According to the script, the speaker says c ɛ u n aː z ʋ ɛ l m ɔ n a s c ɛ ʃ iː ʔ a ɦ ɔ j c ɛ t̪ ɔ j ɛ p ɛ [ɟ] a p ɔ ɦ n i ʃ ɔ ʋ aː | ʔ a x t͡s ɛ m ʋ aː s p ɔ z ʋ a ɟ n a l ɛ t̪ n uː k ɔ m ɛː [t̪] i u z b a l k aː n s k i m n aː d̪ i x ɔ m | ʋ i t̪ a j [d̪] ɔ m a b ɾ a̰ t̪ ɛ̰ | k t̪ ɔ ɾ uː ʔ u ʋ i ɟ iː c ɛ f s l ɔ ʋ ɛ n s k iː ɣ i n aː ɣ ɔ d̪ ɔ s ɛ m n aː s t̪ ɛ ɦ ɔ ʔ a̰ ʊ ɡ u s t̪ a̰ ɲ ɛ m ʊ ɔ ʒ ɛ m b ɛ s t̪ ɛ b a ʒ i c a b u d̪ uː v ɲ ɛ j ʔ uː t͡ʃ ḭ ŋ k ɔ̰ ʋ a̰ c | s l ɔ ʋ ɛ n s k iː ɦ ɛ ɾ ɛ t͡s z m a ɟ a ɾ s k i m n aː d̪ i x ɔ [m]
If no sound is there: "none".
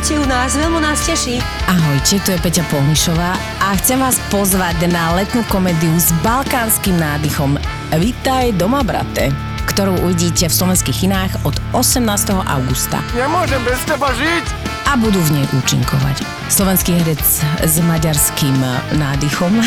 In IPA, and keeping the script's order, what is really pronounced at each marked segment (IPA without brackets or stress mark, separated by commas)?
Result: c, d̪, d̪, m